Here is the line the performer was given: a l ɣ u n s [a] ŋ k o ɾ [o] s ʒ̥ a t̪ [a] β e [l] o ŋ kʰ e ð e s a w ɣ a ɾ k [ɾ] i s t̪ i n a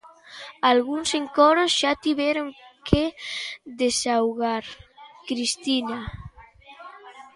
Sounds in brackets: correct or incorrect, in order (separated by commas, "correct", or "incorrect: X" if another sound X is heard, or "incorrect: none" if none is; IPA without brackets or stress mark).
incorrect: e, correct, incorrect: i, incorrect: ɾ, correct